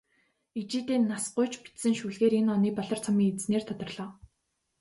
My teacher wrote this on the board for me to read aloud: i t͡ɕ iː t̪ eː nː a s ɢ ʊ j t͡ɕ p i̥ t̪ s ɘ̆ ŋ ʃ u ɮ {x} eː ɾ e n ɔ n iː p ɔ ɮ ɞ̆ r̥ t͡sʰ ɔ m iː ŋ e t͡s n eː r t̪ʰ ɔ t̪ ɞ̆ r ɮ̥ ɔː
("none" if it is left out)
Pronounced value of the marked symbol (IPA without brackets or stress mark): ɣ